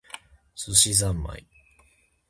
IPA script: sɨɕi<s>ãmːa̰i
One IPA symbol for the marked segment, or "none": z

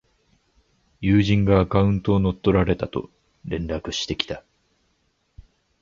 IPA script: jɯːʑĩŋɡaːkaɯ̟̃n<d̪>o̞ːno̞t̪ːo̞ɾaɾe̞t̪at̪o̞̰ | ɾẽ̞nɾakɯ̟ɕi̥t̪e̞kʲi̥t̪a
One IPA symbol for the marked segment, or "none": t̪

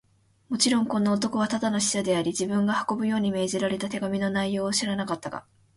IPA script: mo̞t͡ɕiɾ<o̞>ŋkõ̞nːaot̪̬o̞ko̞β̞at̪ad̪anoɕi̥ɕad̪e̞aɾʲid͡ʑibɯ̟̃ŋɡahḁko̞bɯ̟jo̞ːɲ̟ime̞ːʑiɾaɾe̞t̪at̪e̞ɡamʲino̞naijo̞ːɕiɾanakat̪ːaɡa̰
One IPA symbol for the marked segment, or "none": õ̞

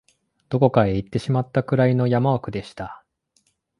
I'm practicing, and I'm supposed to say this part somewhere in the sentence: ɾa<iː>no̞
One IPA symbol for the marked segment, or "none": i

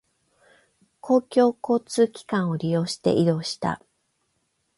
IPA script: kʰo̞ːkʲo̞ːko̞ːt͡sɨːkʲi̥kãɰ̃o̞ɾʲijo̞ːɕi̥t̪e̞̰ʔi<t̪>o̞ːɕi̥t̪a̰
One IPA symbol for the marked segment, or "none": d̪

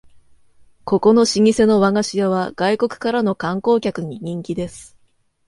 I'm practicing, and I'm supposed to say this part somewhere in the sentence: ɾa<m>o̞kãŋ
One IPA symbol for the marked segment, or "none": n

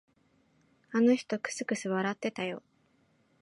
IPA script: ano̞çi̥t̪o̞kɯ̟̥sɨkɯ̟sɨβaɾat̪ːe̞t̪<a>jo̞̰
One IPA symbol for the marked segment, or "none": a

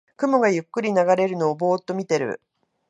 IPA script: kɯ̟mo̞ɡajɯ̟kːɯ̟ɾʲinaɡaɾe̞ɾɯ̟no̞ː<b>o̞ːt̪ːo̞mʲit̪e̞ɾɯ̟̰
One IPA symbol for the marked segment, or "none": b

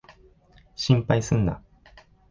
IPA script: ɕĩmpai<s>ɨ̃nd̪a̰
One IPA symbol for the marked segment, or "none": s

